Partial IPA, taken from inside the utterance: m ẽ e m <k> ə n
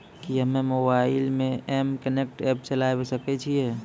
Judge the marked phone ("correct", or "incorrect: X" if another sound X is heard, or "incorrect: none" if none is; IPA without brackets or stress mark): correct